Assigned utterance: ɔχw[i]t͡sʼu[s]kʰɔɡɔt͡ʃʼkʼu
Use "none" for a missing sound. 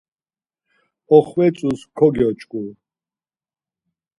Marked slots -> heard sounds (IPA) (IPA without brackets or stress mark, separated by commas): ɛ, s